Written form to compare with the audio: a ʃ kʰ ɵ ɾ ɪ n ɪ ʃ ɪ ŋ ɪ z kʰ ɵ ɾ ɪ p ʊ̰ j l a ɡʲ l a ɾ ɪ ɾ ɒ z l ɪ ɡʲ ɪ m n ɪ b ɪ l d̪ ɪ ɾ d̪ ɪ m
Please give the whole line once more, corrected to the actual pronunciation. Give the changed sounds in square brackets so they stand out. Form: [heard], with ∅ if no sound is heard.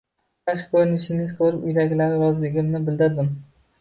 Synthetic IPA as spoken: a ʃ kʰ ɵ ɾ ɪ n ɪ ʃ ɪ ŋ ɪ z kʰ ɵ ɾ ɪ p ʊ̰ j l a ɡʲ l a ɾ ɪ ɾ ɒ z l ɪ ɡʲ ɪ m n ɪ b ɪ l d̪ ɪ ɾ d̪ ɪ m

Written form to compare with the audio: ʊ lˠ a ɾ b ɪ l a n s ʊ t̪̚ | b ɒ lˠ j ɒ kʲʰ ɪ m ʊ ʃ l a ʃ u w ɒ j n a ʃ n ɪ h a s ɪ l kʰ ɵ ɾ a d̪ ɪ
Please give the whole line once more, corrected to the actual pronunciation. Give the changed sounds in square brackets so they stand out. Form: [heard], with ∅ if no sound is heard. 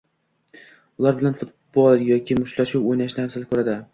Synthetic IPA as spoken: ʊ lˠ a ɾ b ɪ l a n [f] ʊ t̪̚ | b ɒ lˠ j ɒ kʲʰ ɪ m ʊ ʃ l a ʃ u w [o] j n a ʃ n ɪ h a s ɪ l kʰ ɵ ɾ a d̪ ɪ

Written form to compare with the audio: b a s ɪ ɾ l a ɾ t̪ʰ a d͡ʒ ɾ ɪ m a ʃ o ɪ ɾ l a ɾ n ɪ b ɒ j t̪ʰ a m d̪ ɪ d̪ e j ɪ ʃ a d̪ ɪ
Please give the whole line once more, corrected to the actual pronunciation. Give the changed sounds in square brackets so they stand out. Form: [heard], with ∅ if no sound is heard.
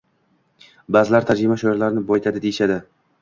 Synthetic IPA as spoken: b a [z] ɪ [∅] l a ɾ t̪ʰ a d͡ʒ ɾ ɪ m a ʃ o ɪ ɾ l a ɾ n ɪ b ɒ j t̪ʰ a [∅] d̪ ɪ d̪ e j ɪ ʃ a d̪ ɪ

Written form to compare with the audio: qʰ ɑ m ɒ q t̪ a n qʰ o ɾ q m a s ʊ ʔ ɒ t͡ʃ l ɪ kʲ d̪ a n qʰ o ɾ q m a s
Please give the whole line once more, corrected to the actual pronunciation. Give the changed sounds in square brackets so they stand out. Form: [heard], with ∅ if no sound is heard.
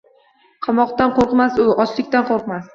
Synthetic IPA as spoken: qʰ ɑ m ɒ q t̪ a n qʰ o ɾ q m a s ʊ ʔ ɒ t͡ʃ l ɪ kʲ [t̪] a n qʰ o ɾ q m a s

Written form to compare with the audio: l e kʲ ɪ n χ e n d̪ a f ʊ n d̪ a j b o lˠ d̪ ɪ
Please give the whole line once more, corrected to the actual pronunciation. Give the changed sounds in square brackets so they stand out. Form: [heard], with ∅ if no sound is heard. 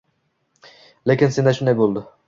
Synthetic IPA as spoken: l e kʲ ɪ n [s] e n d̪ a [ʃ] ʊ n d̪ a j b o lˠ d̪ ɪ

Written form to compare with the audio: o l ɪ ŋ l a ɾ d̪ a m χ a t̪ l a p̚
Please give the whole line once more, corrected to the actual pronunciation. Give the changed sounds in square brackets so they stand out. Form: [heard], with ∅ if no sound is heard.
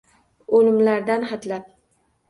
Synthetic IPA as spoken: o l ɪ [m] l a ɾ d̪ a [n] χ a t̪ l a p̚

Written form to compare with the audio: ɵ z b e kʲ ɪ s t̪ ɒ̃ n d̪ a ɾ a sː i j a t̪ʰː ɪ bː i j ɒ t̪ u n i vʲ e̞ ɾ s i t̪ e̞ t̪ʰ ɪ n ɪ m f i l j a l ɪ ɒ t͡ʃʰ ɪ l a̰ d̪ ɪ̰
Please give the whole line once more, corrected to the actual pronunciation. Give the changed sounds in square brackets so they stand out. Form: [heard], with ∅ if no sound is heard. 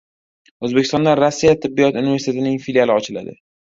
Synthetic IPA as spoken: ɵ z b e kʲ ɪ s t̪ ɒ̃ n d̪ a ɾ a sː i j a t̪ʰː ɪ bː i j ɒ t̪ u n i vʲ e̞ ɾ s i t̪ e̞ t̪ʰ ɪ n ɪ [ŋ] f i l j a l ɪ ɒ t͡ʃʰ ɪ l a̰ d̪ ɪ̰

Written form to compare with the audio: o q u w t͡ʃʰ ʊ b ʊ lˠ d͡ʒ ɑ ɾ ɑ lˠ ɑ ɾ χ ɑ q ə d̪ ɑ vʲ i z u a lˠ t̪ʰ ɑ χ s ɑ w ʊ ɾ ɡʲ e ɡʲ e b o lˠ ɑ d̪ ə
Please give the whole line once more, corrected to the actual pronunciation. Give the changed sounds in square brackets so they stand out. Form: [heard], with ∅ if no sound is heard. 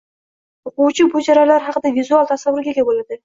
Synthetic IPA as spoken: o q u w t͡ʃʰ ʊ b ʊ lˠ d͡ʒ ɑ ɾ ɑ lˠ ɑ ɾ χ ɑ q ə d̪ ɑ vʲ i z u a lˠ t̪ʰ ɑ [∅] s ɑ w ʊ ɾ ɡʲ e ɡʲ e b o lˠ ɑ d̪ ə

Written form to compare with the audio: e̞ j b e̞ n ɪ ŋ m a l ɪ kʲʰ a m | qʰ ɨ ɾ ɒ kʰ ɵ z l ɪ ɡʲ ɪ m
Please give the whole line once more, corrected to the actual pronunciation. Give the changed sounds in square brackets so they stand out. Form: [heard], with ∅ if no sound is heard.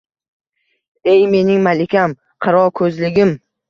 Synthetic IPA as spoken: e̞ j [m] e̞ n ɪ ŋ m a l ɪ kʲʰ a m | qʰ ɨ ɾ ɒ kʰ ɵ z l ɪ ɡʲ ɪ m

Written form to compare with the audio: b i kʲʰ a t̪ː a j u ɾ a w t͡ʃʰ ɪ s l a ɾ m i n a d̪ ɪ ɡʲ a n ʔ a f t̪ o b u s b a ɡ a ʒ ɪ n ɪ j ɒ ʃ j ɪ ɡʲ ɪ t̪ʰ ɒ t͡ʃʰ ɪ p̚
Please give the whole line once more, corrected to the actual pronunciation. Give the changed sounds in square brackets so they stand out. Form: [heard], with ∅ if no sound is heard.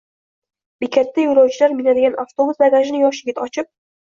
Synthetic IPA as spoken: b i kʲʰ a t̪ː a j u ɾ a w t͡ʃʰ ɪ [∅] l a ɾ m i n a d̪ ɪ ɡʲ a n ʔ a f t̪ o b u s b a ɡ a ʒ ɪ n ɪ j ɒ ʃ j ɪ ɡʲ ɪ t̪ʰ ɒ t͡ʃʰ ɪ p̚

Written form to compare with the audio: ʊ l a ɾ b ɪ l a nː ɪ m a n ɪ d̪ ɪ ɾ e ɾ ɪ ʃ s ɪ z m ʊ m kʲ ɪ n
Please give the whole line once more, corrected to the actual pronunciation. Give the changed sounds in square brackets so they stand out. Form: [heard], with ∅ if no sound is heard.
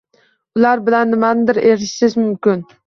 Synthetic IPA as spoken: ʊ l a ɾ b ɪ l a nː ɪ m a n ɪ d̪ ɪ ɾ e ɾ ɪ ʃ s ɪ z m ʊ m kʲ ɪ n

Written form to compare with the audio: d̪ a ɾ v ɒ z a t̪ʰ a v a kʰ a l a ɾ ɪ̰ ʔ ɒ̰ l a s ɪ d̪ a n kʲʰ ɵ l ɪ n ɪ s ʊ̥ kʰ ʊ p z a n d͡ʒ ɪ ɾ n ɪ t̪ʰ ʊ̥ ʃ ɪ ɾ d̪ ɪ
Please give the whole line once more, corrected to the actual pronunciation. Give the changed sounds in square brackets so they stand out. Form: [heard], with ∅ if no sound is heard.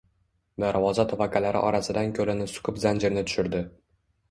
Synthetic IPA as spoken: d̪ a ɾ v ɒ z a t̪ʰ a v a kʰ a l a ɾ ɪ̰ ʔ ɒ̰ [ɾ] a s ɪ d̪ a n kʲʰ ɵ l ɪ n ɪ s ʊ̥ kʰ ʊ p z a n d͡ʒ ɪ ɾ n ɪ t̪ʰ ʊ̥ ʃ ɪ ɾ d̪ ɪ

